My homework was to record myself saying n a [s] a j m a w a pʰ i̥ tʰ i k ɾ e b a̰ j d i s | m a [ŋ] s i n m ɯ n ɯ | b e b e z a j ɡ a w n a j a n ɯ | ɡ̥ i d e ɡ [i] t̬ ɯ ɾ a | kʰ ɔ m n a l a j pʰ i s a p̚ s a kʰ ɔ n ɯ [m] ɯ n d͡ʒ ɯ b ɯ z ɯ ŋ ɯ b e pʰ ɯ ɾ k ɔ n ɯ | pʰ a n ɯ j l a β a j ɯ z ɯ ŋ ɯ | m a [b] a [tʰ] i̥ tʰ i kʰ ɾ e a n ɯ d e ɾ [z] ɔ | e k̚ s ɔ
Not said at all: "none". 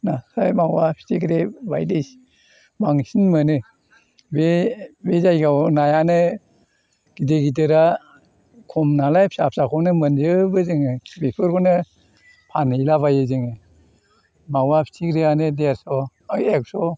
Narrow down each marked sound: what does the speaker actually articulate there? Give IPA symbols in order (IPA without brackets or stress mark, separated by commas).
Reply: s, ŋ, i, m, w, pʰ, s